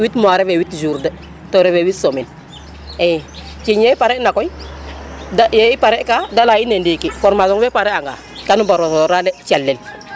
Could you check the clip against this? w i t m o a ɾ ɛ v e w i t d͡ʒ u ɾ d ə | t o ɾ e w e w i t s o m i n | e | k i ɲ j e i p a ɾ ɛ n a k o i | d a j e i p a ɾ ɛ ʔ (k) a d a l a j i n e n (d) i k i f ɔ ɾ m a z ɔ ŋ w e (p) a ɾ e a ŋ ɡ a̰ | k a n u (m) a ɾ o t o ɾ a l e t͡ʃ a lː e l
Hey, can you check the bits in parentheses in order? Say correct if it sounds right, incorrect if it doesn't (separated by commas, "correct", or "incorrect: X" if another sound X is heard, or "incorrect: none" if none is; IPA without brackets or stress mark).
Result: correct, correct, correct, incorrect: b